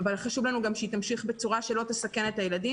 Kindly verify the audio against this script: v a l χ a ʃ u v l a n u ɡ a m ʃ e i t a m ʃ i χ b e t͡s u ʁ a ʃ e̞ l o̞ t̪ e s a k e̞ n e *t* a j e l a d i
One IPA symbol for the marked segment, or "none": t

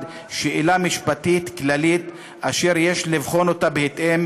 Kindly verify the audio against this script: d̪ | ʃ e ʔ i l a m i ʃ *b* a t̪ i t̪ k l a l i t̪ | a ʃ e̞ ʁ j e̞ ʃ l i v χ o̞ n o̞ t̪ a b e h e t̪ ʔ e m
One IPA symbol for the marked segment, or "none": p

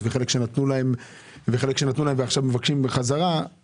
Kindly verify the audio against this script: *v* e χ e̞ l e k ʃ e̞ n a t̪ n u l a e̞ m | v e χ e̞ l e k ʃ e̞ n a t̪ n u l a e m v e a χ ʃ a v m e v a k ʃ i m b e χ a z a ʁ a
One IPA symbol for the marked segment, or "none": v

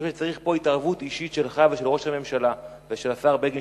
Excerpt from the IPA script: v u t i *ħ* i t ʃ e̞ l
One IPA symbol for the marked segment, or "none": ʃ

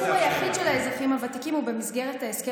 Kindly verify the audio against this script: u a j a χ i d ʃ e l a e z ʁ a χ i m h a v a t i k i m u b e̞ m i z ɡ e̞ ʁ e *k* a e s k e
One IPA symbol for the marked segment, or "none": t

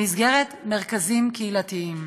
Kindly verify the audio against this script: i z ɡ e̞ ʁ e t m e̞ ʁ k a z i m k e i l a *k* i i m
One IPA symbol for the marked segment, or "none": t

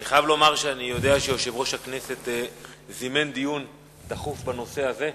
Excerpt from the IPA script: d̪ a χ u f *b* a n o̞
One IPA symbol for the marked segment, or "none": b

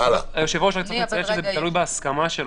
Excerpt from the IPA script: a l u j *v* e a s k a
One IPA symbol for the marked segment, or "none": b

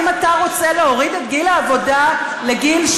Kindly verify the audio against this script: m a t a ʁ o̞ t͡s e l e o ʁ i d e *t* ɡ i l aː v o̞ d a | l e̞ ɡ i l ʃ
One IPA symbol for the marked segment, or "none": t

